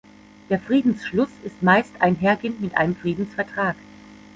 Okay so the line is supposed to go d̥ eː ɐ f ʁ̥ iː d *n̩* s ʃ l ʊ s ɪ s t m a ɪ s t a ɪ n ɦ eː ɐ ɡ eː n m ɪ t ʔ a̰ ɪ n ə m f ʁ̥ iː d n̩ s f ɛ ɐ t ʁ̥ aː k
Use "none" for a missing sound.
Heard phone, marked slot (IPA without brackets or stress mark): n̩